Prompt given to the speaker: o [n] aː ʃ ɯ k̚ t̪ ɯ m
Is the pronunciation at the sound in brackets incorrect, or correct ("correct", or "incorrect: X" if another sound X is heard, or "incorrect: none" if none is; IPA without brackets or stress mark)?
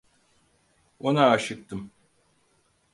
correct